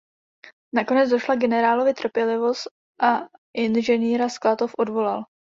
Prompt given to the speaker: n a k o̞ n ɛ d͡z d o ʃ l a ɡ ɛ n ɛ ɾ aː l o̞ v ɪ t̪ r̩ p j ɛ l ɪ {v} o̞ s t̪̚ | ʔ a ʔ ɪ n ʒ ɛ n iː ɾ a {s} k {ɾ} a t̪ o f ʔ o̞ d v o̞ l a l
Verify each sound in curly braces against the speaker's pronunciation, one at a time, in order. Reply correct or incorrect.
correct, correct, incorrect: l

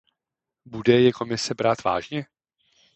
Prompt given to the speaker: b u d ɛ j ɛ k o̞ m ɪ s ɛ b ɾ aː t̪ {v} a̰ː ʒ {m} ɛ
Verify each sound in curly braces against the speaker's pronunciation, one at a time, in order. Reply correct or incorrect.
correct, incorrect: ɲ

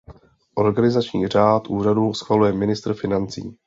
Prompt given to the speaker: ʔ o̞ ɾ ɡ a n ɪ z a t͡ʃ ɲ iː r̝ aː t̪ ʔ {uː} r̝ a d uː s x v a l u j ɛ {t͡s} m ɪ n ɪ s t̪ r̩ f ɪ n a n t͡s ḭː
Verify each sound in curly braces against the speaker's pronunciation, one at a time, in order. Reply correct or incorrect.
correct, incorrect: none

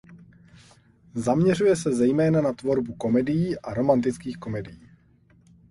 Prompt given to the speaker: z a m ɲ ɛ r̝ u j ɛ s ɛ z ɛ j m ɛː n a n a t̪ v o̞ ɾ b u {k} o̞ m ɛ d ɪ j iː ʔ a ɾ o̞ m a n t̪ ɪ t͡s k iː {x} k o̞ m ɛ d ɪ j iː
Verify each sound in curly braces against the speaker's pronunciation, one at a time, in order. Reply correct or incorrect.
correct, correct

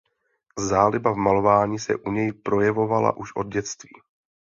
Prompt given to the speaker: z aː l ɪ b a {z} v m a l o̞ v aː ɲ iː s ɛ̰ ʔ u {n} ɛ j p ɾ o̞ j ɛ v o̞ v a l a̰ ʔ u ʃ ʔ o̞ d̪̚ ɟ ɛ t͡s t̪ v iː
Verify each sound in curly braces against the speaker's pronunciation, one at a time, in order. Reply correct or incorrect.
incorrect: none, incorrect: ɲ

